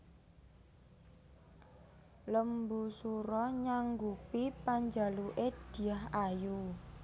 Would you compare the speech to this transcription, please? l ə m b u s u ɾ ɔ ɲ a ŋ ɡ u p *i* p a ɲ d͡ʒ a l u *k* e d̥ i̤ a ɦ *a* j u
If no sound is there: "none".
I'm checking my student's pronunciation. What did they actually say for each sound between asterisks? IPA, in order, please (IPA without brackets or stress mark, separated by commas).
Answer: i, ʔ, a